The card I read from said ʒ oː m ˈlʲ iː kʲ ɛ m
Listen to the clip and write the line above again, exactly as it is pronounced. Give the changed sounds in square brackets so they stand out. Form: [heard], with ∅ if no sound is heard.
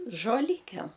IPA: ʒ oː [∅] ˈlʲ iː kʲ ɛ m